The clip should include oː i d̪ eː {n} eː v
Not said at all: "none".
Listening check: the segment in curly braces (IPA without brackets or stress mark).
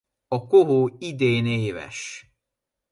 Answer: n